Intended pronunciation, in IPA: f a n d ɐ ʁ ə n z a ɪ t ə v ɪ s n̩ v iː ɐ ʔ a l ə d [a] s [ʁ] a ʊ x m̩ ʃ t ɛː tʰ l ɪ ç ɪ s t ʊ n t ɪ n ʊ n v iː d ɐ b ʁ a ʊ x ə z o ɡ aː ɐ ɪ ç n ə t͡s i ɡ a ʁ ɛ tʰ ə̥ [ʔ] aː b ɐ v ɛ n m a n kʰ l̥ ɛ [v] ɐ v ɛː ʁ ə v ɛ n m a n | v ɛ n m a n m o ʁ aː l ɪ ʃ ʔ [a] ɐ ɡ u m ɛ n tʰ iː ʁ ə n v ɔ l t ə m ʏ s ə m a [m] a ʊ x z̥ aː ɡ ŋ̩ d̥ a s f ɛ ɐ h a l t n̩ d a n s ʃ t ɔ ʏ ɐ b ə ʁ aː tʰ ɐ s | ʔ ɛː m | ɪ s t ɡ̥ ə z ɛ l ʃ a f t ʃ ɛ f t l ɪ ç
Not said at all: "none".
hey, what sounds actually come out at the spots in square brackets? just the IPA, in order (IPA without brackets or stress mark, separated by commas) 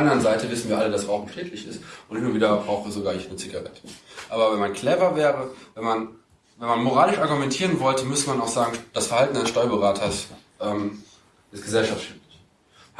a, ʁ, ʔ, v, a, n